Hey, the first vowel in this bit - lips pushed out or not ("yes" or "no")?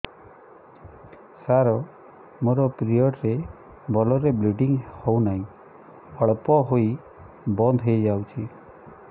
no